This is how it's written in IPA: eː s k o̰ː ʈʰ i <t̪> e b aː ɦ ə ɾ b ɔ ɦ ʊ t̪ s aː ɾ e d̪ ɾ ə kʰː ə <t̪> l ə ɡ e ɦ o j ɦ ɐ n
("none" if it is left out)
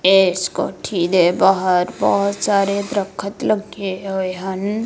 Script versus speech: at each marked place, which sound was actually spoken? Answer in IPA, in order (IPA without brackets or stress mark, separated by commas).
d̪, t̪